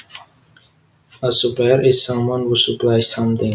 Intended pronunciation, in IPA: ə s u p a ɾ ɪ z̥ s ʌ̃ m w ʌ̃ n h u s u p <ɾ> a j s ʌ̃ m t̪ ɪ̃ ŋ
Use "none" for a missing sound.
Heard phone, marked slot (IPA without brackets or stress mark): l